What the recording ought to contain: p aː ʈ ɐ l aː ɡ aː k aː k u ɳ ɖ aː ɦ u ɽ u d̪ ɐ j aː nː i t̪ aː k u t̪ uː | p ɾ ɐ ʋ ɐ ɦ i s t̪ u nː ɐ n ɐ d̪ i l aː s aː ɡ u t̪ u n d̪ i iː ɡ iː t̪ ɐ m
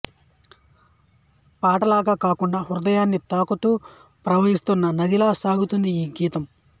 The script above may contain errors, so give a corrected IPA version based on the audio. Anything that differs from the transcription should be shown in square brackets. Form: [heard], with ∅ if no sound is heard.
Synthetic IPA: p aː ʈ ɐ l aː ɡ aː k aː k u ɳ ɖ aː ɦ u [ɾ] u d̪ ɐ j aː nː i t̪ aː k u t̪ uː | p ɾ ɐ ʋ ɐ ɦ i s t̪ u nː ɐ n ɐ d̪ i l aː s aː ɡ u t̪ u n d̪ i iː ɡ iː t̪ ɐ m